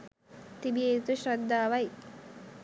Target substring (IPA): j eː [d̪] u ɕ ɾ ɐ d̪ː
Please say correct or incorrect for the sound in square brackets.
incorrect